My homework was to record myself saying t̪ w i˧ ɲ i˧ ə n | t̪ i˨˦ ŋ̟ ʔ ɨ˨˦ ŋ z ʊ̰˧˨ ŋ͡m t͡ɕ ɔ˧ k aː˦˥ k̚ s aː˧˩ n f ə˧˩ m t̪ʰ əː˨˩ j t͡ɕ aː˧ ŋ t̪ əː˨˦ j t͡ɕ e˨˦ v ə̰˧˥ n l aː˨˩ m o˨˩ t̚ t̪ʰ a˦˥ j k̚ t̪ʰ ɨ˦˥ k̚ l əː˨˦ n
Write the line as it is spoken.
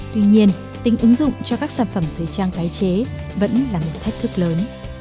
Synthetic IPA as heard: t̪ w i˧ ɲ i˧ ə n | t̪ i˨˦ ŋ̟ ʔ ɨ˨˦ ŋ z ʊ̰˧˨ ŋ͡m t͡ɕ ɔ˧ k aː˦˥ k̚ s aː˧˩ n f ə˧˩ m t̪ʰ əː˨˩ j t͡ɕ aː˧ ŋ t̪ aː˨˦ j t͡ɕ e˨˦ v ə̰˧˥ n l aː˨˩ m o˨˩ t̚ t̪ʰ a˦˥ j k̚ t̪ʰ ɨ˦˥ k̚ l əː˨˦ n